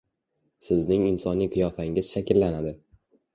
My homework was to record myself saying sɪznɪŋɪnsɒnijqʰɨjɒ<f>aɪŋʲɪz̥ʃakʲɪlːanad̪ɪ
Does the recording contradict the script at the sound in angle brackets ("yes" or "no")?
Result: no